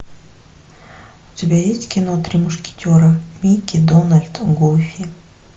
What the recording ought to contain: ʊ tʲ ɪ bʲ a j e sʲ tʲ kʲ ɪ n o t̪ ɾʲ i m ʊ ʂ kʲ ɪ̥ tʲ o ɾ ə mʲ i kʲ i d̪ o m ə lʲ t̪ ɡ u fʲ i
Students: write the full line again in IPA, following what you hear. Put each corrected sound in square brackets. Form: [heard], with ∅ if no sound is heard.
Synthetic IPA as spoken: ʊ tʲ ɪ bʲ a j e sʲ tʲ kʲ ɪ n o t̪ ɾʲ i m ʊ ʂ kʲ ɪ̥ tʲ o ɾ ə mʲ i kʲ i d̪ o [n] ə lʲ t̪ ɡ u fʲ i